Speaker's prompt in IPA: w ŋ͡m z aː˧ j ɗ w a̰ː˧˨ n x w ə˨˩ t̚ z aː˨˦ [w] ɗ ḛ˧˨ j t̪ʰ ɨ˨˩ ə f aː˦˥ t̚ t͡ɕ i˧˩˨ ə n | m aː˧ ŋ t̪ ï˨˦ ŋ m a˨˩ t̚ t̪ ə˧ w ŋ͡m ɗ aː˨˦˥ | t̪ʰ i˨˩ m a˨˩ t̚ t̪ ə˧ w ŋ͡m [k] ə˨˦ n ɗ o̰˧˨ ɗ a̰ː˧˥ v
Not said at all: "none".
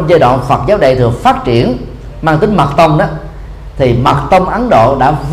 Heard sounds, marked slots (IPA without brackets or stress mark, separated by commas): w, ʔ